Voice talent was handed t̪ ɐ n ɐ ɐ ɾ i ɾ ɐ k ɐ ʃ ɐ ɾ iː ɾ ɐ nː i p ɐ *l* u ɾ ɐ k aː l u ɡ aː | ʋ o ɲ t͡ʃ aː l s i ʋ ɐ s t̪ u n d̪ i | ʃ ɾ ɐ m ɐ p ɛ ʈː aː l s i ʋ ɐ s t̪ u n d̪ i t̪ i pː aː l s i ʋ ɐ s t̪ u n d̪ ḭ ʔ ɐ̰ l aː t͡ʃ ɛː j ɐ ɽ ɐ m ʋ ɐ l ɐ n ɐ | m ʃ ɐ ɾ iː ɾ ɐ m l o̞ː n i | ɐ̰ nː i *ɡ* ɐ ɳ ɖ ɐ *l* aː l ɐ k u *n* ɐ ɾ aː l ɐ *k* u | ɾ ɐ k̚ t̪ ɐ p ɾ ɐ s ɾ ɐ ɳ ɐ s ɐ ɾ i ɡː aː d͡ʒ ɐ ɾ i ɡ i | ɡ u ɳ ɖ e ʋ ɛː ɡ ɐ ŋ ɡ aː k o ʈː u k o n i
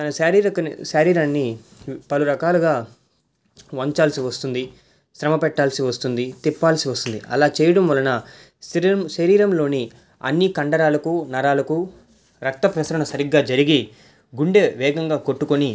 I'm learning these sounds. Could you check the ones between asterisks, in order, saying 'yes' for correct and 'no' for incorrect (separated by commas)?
yes, no, no, yes, yes